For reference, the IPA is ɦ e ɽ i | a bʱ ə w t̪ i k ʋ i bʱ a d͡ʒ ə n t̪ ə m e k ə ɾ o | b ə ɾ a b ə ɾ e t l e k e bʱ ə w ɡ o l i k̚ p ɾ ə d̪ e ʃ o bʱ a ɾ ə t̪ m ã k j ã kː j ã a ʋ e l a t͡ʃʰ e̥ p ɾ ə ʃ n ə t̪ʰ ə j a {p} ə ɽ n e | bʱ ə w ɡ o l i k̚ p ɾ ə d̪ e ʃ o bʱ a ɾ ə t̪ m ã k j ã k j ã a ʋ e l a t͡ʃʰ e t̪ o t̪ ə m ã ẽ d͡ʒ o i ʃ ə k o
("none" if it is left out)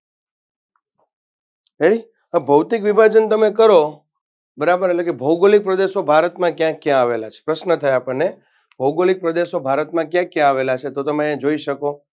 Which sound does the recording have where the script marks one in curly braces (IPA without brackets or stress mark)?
p